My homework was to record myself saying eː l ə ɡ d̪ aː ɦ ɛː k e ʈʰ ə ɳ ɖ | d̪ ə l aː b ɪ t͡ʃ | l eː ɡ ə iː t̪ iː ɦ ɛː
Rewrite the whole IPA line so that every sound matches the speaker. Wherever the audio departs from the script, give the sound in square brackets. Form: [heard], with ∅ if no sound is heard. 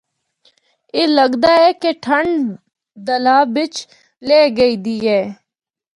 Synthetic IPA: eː l ə ɡ d̪ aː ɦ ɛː k e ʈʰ ə ɳ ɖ | d̪ ə l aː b ɪ t͡ʃ | l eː ɡ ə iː [d̪] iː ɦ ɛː